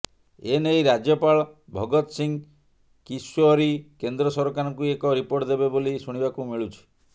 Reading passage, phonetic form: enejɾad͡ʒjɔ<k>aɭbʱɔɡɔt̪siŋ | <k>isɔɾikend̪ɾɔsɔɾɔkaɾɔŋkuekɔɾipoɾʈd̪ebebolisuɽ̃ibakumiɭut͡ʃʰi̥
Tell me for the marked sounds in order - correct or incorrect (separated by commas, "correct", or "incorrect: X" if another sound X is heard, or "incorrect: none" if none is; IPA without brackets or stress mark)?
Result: incorrect: p, correct